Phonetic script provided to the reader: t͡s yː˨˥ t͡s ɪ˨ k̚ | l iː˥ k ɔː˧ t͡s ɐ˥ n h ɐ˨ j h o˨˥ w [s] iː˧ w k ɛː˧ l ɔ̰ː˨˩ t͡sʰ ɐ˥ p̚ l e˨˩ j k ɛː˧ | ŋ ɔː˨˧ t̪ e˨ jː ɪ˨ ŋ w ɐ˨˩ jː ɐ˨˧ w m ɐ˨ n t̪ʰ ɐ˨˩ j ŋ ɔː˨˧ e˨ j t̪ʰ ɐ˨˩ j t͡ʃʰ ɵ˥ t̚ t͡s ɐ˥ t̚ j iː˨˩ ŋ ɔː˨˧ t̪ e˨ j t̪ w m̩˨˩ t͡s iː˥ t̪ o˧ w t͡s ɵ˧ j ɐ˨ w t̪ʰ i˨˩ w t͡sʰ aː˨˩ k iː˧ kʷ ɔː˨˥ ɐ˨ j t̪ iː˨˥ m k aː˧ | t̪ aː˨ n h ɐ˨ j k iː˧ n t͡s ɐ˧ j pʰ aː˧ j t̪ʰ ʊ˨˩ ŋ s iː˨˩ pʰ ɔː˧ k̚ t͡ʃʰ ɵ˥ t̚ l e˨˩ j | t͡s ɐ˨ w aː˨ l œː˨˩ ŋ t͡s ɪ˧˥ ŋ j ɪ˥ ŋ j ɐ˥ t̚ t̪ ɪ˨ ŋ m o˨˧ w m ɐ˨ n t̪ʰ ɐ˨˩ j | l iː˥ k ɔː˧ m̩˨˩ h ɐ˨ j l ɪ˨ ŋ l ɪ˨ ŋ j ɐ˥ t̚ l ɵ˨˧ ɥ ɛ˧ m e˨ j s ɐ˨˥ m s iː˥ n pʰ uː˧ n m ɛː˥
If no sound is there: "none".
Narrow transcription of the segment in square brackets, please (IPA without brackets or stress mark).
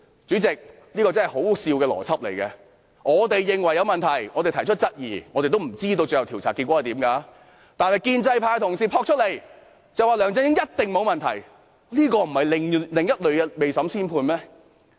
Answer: s